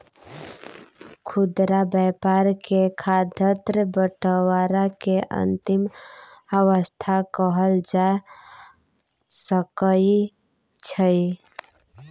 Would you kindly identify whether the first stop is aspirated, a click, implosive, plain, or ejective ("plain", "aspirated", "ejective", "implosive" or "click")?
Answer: aspirated